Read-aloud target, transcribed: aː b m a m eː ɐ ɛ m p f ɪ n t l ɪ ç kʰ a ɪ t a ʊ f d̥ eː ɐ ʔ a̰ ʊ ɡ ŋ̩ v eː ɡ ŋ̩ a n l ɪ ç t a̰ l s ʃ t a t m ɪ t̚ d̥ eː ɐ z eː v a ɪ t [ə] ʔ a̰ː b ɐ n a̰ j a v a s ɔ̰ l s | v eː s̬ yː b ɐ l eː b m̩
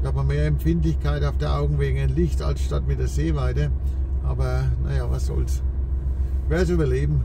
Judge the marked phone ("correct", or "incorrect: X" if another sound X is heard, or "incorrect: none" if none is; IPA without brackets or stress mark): correct